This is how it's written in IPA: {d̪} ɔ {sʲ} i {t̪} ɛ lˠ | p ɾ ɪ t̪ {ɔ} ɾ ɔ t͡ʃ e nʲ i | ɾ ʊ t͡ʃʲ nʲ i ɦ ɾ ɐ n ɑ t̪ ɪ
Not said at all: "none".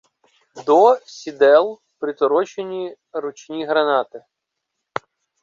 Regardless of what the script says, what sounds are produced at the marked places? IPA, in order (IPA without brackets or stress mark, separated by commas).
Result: d̪, sʲ, d̪, ɔ